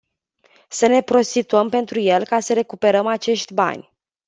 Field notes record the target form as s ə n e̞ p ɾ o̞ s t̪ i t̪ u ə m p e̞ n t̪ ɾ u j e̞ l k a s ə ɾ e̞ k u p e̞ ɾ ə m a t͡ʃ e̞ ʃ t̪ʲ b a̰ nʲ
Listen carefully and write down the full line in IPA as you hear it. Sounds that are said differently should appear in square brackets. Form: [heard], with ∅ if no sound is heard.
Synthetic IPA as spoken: s ə n e̞ p ɾ o̞ s t̪ i t̪ u ə m p e̞ n t̪ ɾ u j e̞ l k a s ə ɾ e̞ k u p e̞ ɾ ə m a t͡ʃ e̞ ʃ t̪ʲ b a̰ nʲ